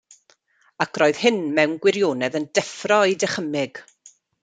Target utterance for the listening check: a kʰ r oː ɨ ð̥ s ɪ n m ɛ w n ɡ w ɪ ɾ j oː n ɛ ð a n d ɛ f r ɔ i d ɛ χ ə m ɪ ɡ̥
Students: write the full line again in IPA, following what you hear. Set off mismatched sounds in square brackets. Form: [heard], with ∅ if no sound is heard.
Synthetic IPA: a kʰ r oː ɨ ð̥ [h] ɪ n m ɛ w n ɡ w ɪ ɾ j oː n ɛ ð [ə] n d ɛ f r ɔ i d ɛ χ ə m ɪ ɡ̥